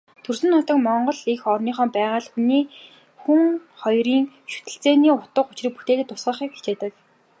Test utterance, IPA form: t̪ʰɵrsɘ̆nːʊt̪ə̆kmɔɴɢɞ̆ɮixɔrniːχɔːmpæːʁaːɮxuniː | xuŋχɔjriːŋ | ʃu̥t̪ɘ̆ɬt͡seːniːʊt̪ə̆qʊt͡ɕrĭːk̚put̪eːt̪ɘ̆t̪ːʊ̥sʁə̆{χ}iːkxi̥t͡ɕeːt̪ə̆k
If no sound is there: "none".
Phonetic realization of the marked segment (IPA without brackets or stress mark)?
χ